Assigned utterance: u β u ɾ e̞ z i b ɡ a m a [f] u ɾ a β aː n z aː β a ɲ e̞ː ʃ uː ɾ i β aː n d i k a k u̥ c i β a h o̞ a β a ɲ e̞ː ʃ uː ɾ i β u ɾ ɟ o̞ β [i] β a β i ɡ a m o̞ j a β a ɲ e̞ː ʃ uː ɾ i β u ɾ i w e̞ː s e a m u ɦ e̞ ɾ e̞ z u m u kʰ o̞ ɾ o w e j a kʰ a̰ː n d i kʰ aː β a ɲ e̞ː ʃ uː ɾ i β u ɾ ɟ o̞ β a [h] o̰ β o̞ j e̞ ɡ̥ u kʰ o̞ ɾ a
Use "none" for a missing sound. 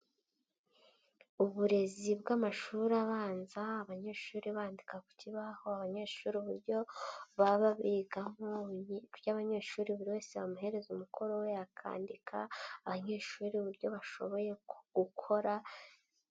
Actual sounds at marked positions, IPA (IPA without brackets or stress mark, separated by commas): ʃ, a, ʃ